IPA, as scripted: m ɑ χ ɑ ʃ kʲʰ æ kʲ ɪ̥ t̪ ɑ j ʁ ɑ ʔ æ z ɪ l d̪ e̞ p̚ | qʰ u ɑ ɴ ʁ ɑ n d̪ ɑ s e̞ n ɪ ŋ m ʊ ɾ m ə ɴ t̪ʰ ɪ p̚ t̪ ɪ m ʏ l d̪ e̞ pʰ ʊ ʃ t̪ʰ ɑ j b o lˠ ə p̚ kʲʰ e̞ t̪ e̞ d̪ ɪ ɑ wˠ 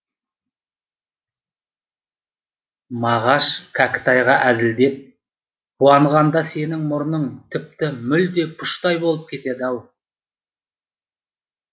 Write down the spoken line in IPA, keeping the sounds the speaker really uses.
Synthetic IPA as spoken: m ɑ ʁ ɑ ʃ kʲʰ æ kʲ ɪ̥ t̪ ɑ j ʁ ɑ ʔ æ z ɪ l d̪ e̞ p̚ | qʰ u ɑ ɴ ʁ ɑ n d̪ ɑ s e̞ n ɪ ŋ m ʊ ɾ n ə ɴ t̪ʰ ɪ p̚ t̪ ɪ m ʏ l d̪ e̞ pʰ ʊ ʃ t̪ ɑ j b o lˠ ə p̚ kʲʰ e̞ t̪ e̞ d̪ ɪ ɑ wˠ